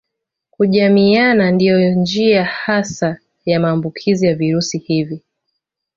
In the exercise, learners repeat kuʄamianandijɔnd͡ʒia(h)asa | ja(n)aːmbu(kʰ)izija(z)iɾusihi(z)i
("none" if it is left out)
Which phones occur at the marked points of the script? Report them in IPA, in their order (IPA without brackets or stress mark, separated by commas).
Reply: h, m, kʰ, v, v